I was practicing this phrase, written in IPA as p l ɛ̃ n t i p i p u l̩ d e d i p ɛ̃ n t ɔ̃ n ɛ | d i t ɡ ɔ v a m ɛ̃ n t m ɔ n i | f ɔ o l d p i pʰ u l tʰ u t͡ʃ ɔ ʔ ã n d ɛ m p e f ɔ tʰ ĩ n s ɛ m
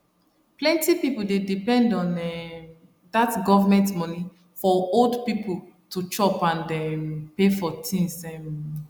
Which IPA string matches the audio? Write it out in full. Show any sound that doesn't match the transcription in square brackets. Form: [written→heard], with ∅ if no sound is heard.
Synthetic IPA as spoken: p l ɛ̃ n t i p i p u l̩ d e d i p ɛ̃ n [t→d] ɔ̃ n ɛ | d [i→a] t ɡ ɔ v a m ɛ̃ n t m ɔ n i | f ɔ o l d p i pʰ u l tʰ u t͡ʃ ɔ [ʔ→p] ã n d ɛ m p e f ɔ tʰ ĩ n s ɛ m